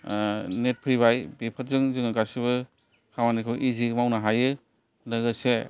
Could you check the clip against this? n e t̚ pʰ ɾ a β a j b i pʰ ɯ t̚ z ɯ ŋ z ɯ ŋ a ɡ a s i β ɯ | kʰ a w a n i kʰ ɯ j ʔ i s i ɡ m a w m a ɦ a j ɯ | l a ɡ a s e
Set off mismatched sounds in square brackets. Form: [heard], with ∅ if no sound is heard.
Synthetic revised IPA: n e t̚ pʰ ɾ [i] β a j b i pʰ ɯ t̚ z ɯ ŋ z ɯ ŋ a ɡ a s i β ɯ | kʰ a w a n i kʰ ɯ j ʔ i [z] i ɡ m a w [n] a ɦ a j ɯ | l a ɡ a s e

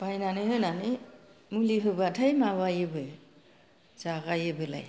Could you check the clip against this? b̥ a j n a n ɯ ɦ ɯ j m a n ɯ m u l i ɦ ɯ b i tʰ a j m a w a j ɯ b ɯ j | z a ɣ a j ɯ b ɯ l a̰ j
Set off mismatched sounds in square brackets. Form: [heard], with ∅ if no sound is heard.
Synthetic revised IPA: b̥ a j n a n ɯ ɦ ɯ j [n] a n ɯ m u l i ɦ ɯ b [a] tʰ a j m a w a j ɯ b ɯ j | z a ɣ a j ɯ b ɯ l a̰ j

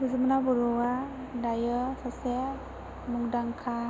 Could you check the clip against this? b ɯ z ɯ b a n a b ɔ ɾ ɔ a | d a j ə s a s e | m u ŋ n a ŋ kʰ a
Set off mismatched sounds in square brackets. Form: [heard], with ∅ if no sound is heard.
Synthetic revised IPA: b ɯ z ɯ [m] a n a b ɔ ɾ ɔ a | d a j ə s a s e | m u ŋ [d] a ŋ kʰ a

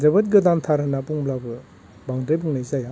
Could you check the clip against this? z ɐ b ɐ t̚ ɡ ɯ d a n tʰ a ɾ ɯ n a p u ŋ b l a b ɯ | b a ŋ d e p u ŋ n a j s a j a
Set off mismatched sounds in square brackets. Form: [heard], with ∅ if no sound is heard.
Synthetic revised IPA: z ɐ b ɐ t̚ ɡ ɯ d a n tʰ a ɾ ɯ n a p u ŋ b l a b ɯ | b a ŋ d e [b] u ŋ n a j [z] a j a

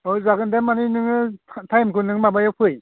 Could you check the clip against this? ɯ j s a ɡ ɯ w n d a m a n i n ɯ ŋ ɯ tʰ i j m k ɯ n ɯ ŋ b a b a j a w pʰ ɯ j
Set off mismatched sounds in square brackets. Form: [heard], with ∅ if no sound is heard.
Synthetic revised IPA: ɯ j [z] a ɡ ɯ [∅] n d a m a n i n ɯ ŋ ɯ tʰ [a] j m k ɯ n ɯ ŋ [m] a b a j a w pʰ ɯ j

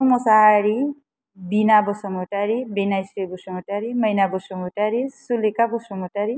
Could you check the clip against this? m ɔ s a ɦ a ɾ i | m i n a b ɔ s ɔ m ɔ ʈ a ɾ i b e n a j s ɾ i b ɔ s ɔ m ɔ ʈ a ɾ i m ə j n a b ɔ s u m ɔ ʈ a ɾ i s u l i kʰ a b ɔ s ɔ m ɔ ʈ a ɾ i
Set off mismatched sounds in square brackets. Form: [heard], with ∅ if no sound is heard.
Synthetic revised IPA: m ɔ s a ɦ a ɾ i | [b] i n a b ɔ s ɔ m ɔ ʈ a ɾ i b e n a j s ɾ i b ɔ s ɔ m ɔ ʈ a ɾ i m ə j n a b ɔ s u m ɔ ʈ a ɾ i s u l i [k] a b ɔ s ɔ m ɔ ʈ a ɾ i

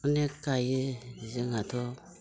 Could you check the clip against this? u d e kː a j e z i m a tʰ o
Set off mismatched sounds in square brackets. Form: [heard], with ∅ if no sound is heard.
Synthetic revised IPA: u [n] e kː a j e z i [ŋ] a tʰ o

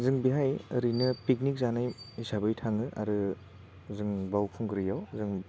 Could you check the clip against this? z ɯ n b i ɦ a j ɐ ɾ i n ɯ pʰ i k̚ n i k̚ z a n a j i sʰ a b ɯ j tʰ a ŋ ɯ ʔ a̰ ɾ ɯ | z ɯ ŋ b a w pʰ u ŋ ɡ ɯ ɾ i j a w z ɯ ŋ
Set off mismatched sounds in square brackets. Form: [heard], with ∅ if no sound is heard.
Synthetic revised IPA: z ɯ [ŋ] b i ɦ a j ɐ ɾ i n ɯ [p] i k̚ n i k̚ z a n a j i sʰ a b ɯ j tʰ a ŋ ɯ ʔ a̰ ɾ ɯ | z ɯ ŋ b a w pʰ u ŋ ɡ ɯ ɾ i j a w z ɯ ŋ

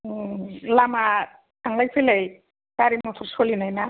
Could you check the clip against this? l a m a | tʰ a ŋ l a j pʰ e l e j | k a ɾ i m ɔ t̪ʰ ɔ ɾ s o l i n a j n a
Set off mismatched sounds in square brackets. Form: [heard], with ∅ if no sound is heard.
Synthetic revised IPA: l a m a | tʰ a ŋ l a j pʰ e l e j | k a ɾ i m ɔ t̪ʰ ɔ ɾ s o l i n a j n a

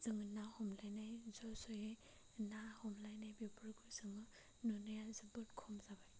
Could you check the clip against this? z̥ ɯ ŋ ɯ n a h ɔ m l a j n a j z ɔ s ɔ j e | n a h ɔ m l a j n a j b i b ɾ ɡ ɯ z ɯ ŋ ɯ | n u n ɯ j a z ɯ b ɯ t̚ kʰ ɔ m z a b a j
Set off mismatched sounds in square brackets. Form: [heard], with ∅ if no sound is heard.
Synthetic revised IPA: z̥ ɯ ŋ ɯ n a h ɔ m l a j n a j z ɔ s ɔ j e | n a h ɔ m l a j n a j b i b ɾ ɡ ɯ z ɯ ŋ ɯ | n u n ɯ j a z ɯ b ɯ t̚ kʰ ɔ m z a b a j

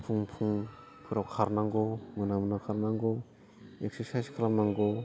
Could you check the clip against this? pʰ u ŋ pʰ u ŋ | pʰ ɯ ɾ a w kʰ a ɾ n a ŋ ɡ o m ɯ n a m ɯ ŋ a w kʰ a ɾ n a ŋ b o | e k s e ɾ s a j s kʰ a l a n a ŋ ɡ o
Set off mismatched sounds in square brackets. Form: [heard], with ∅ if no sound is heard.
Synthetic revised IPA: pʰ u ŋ pʰ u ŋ | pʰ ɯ ɾ a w kʰ a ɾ n a ŋ ɡ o m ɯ n a m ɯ [n] a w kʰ a ɾ n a ŋ [ɡ] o | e k s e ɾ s a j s kʰ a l a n a ŋ ɡ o

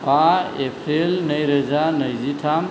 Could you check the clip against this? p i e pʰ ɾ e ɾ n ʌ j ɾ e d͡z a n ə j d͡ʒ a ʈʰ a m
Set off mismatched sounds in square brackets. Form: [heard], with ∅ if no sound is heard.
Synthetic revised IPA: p [a] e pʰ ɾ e [l] n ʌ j ɾ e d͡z a n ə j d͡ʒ [i] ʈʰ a m

